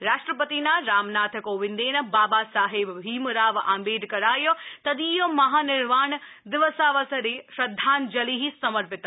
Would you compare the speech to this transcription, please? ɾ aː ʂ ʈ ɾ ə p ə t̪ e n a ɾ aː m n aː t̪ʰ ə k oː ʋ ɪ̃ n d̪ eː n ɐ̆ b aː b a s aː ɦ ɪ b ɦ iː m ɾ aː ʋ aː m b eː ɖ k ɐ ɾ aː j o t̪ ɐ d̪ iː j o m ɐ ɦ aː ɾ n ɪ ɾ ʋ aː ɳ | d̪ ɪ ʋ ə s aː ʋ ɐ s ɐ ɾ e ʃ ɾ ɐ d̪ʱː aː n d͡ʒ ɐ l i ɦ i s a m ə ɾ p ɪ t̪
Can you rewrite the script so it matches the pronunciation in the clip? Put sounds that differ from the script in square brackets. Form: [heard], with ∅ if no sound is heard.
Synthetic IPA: ɾ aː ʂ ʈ ɾ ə p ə t̪ [i] n a ɾ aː m n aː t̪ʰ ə k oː ʋ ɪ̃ n d̪ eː n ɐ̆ b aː b a s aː ɦ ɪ b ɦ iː m ɾ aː ʋ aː m b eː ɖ k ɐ ɾ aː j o t̪ ɐ d̪ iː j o m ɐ ɦ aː [∅] n ɪ ɾ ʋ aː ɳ | d̪ ɪ ʋ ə s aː ʋ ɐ s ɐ ɾ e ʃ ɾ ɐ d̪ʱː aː n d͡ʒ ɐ l i ɦ i s [ɐ] m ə ɾ p ɪ t̪